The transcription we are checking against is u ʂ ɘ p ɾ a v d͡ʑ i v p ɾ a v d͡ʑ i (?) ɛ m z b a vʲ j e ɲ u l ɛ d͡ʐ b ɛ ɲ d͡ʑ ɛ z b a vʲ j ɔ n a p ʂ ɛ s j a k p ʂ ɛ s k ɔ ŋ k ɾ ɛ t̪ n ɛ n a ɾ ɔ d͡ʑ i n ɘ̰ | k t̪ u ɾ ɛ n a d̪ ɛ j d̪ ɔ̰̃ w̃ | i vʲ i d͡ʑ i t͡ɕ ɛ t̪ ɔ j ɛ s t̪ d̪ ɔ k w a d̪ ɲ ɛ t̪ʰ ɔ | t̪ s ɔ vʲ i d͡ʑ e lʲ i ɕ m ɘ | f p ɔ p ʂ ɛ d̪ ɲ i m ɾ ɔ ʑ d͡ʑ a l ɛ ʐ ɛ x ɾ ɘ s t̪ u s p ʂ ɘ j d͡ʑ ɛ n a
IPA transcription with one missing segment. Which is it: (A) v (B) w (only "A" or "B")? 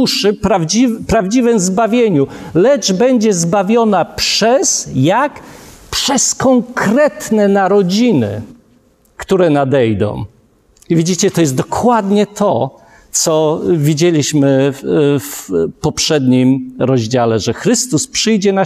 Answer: A